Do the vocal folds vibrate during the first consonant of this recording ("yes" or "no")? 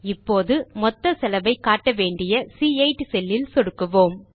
no